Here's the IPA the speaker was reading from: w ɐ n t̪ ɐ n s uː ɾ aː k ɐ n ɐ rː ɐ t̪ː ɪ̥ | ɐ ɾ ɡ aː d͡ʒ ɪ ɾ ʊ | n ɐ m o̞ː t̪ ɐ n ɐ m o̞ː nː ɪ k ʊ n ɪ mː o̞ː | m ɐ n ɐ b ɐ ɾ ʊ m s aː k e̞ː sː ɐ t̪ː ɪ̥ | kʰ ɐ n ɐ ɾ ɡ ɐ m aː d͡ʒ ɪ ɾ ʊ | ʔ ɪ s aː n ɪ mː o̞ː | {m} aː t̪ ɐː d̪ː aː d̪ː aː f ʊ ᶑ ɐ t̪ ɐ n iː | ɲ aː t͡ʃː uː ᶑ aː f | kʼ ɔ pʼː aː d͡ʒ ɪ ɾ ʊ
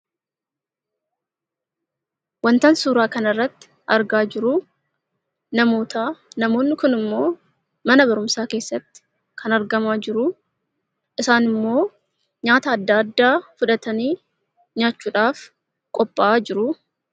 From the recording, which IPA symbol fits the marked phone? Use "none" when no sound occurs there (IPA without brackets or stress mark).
ɲ